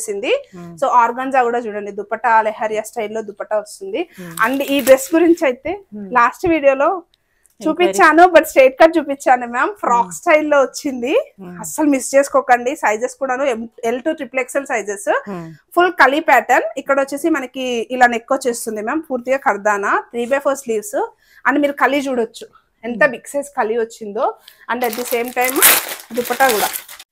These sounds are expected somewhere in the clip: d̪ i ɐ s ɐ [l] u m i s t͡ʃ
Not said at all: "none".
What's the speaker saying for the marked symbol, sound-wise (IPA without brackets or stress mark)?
l